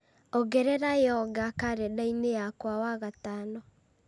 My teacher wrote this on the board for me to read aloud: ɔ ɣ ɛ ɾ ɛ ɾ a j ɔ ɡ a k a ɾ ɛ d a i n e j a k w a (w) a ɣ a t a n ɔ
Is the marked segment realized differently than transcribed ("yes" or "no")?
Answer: no